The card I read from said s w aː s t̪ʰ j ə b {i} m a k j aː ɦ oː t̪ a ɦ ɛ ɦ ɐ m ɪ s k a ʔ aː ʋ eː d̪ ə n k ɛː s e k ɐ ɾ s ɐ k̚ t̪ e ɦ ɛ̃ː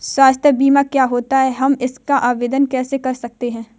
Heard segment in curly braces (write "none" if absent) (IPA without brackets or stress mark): iː